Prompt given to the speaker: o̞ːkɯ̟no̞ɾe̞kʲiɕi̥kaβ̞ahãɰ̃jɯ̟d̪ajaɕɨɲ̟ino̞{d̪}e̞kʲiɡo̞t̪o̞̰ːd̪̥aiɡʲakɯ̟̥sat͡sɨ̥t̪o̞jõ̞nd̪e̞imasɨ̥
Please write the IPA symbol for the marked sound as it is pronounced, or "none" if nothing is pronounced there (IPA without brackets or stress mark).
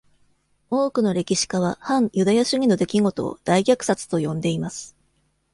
d̪